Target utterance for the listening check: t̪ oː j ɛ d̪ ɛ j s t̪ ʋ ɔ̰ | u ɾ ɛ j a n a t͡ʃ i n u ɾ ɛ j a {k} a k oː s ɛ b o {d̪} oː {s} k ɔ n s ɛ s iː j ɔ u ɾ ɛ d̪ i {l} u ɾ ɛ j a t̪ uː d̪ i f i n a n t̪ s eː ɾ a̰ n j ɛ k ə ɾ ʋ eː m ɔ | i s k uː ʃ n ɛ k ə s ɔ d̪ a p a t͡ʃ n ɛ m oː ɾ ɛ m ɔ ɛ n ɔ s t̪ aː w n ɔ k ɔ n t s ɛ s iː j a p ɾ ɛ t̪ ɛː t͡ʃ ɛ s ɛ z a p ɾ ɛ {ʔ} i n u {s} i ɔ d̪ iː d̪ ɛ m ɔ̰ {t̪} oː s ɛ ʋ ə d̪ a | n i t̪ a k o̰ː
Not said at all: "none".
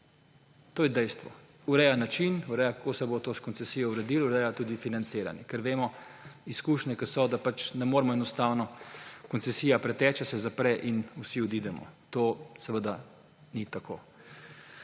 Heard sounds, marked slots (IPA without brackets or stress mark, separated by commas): k, t̪, s, l, ʔ, s, t̪